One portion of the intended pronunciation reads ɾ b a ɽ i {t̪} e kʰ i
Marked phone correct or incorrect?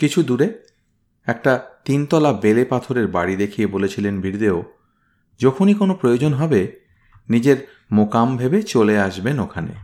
incorrect